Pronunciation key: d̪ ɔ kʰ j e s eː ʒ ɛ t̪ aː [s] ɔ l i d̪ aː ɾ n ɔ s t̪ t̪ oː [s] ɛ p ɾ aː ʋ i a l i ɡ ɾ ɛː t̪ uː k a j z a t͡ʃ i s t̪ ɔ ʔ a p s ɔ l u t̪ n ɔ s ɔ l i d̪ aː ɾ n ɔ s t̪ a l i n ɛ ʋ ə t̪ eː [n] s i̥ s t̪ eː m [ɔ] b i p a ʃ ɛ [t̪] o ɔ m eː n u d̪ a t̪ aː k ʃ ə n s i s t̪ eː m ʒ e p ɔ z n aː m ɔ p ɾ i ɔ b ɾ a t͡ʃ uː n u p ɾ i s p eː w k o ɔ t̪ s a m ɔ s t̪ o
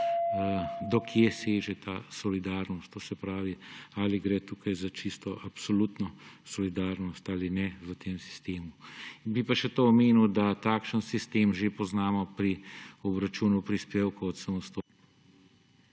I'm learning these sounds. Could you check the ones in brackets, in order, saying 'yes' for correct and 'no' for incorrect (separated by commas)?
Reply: yes, yes, no, no, yes